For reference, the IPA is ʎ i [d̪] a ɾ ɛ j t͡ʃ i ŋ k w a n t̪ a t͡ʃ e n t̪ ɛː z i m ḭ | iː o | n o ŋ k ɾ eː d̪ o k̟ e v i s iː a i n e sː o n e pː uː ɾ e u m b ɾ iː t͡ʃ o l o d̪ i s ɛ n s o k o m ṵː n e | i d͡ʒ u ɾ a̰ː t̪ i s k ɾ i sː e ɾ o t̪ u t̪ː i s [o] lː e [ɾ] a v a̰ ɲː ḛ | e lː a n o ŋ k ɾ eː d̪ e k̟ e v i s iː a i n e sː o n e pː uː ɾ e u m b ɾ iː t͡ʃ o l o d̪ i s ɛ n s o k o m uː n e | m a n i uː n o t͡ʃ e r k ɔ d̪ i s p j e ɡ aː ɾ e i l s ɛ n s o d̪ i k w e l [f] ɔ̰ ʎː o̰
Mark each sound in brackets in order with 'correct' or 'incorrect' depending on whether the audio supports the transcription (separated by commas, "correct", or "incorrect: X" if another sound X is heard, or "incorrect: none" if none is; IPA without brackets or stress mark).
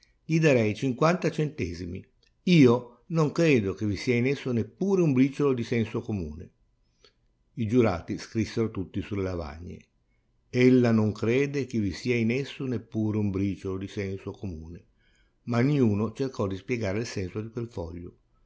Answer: correct, incorrect: u, incorrect: l, correct